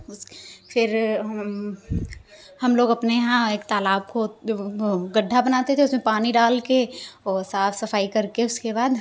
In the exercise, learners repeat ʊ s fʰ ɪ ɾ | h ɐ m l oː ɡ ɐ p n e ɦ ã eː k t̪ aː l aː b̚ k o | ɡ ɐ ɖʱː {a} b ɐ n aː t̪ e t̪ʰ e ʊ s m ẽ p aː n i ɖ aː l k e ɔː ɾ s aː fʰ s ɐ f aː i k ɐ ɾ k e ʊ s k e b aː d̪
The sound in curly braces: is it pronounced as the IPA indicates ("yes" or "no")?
yes